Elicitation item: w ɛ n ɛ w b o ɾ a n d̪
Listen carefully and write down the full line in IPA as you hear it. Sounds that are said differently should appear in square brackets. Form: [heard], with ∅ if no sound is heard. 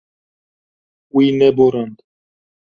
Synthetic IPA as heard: w [i] n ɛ [∅] b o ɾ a n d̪